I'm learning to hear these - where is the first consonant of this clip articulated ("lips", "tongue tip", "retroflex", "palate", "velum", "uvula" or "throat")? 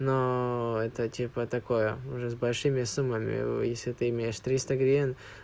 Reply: tongue tip